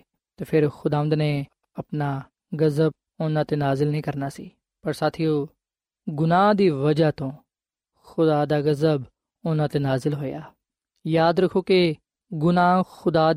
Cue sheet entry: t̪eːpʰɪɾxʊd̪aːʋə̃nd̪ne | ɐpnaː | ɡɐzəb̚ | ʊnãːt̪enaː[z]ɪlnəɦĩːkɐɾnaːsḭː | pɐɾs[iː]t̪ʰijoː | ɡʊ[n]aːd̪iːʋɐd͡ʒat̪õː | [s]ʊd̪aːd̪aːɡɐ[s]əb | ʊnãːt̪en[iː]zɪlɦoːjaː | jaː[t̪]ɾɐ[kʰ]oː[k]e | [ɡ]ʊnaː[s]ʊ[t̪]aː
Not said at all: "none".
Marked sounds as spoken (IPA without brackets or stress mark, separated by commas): z, aː, n, x, z, aː, d̪, kʰ, k, ɡ, x, d̪